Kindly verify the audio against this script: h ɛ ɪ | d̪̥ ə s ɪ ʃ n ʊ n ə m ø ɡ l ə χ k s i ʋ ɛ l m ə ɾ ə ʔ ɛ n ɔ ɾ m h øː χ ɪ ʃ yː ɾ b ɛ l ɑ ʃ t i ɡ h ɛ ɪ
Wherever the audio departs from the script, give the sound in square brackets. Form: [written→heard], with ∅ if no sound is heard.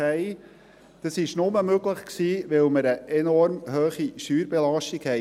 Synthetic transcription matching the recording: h ɛ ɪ | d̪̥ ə s ɪ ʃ n ʊ [n→m] ə m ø ɡ l ə χ k s [i→iː] ʋ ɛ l m ə ɾ ə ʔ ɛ n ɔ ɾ m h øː χ [ɪ→i] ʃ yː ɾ b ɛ l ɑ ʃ t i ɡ h ɛ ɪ